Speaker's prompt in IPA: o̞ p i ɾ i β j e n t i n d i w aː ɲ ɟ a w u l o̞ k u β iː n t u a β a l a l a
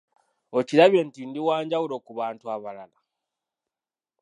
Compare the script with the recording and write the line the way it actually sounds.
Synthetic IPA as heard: o̞ c i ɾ a β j e n t i n d i w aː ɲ ɟ a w u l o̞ k u β aː n t u a β a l a l a